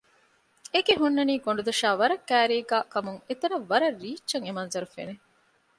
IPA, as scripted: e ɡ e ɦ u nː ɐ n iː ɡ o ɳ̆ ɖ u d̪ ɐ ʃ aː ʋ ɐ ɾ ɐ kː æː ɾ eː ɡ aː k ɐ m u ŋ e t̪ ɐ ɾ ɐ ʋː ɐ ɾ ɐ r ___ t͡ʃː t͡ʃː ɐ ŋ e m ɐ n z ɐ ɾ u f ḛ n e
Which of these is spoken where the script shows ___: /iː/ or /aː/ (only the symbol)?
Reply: iː